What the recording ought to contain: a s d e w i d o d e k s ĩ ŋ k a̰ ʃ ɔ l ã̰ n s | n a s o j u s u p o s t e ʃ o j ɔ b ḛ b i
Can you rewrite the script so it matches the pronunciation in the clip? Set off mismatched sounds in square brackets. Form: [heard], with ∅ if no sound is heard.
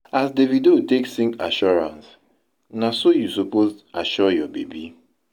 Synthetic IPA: a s d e [v] i d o [t] e k s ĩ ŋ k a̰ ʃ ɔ [ɹ] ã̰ n s | n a s o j u s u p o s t [a] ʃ [ɔ] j ɔ b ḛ b i